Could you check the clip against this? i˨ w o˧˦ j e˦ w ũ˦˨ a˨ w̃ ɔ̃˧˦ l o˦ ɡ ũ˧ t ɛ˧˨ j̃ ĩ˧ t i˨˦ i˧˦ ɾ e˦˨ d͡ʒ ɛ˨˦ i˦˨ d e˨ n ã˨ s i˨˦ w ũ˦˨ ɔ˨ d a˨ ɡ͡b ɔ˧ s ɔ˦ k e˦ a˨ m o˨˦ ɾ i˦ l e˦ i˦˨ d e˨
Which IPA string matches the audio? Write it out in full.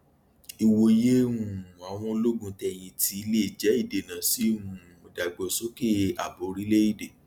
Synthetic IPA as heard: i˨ w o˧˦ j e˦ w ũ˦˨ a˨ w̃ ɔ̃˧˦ l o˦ ɡ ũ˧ t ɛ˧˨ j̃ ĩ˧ t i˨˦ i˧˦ l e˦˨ d͡ʒ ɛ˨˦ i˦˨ d e˨ n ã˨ s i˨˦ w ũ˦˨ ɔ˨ d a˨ ɡ͡b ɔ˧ s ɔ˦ k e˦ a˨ b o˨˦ ɾ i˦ l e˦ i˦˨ d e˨